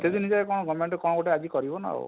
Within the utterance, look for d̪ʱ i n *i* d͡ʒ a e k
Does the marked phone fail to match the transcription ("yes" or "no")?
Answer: no